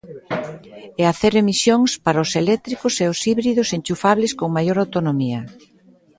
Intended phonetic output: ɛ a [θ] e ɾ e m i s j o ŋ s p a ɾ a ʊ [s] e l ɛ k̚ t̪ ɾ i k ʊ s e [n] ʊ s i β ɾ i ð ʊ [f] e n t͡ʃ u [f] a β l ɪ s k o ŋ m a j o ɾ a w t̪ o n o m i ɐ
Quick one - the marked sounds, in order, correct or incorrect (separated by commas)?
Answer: correct, correct, incorrect, incorrect, correct